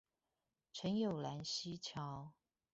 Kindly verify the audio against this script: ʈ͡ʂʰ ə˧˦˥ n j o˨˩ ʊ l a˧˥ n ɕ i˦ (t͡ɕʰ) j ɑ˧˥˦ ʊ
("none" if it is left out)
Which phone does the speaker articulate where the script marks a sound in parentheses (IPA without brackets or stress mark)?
t͡ɕʰ